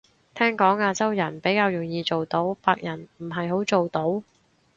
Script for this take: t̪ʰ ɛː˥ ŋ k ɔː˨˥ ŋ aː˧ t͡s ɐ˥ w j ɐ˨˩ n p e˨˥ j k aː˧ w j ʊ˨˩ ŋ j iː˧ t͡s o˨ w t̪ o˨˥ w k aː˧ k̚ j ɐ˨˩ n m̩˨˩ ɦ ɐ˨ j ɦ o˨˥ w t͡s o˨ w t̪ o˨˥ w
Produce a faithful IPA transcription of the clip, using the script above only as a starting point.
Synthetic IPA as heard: t̪ʰ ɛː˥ ŋ k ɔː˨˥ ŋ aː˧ t͡s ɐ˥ w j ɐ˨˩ n p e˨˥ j k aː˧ w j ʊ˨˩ ŋ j iː˧ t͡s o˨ w t̪ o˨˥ w p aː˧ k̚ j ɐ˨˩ n m̩˨˩ ɦ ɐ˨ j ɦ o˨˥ w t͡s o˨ w t̪ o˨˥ w